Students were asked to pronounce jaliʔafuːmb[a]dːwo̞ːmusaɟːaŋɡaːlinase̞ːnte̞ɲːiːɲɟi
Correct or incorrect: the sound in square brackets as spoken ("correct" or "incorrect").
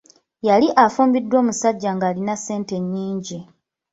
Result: incorrect